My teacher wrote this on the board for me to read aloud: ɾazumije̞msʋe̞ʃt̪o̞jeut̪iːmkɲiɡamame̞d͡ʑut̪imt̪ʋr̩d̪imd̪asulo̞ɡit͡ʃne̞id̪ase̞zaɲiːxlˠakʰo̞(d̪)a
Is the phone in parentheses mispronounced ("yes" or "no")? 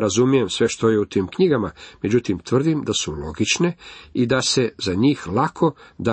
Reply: no